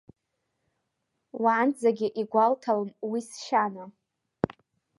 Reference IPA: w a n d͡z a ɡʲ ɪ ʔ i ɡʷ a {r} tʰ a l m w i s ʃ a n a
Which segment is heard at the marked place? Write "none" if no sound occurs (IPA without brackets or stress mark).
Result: l